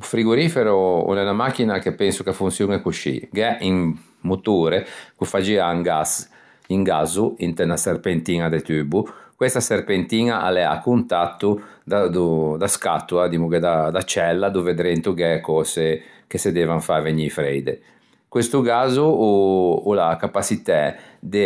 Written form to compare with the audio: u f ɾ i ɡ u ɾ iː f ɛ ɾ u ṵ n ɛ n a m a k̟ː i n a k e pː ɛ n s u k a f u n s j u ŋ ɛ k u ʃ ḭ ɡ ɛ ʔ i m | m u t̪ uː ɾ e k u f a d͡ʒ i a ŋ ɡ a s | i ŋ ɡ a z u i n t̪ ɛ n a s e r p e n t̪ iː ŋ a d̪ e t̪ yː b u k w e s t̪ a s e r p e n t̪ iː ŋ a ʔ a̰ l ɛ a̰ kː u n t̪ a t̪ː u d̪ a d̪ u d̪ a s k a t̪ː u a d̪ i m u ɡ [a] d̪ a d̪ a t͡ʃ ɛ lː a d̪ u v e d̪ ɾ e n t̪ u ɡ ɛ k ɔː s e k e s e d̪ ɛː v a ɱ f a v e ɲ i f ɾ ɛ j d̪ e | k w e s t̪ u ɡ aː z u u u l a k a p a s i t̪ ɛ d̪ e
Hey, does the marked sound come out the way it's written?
no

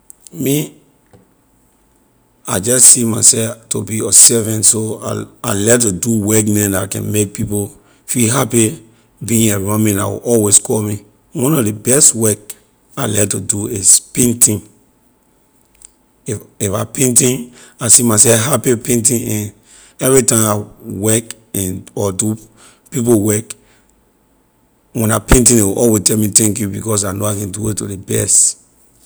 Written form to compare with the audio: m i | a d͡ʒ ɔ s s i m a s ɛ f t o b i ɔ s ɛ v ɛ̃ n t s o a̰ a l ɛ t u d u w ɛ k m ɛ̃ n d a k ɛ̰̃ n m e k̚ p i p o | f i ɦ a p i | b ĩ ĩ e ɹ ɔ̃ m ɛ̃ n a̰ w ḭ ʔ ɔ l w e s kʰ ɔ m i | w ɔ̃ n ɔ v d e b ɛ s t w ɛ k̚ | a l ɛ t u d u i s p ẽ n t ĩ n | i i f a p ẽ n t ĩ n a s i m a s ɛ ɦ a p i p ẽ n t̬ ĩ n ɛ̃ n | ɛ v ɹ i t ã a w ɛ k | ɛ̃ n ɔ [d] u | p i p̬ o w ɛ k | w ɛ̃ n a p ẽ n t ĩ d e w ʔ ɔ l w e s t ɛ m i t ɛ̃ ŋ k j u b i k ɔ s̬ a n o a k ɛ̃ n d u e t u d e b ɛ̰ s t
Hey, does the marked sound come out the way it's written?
yes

